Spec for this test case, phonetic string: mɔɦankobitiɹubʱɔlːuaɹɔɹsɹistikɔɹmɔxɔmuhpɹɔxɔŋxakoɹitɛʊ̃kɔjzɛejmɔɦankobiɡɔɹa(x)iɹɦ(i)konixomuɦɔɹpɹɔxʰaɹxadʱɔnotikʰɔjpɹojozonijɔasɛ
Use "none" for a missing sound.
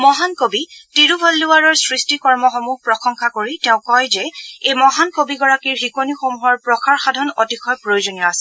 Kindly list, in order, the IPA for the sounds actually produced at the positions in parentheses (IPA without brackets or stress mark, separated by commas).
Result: k, i